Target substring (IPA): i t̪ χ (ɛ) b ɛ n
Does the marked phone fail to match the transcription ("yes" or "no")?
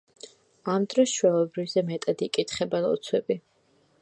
no